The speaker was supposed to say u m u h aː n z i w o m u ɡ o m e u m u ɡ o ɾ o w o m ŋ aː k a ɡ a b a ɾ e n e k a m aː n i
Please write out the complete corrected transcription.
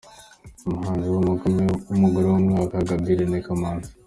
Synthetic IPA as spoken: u m u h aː n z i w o m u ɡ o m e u m u ɡ o ɾ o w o m ŋ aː k a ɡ a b i ɾ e n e k a m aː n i